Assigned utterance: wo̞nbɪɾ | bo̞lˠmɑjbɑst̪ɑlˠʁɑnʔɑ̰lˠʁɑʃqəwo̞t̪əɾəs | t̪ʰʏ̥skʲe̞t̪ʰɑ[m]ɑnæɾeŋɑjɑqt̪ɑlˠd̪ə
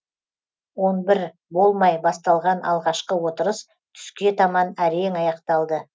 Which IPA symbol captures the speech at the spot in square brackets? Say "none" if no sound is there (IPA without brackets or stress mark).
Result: m